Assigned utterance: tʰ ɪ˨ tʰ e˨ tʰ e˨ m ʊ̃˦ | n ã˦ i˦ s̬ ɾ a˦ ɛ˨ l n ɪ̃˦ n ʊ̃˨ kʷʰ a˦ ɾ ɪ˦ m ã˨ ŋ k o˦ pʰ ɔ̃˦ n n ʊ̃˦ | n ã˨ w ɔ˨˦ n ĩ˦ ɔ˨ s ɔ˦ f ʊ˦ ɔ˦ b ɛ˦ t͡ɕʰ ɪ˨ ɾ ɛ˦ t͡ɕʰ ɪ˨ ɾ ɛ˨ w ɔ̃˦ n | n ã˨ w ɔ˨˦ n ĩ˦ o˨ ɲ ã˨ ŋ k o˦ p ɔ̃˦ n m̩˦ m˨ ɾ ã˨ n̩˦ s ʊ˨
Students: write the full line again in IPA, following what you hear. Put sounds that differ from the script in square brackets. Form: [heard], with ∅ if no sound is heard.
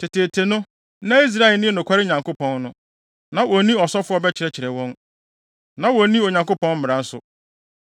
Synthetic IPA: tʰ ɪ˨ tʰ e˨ tʰ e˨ [n] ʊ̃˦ | n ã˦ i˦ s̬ ɾ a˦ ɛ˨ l n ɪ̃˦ n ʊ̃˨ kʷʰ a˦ ɾ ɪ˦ [ɲ] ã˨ ŋ k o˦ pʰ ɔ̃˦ n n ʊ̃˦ | n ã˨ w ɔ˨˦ n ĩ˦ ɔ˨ s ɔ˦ f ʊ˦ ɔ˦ b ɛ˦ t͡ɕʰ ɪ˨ ɾ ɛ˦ t͡ɕʰ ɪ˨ ɾ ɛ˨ w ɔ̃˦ n | n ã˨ w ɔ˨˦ n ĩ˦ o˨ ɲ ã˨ ŋ k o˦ p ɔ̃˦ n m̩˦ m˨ ɾ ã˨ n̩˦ s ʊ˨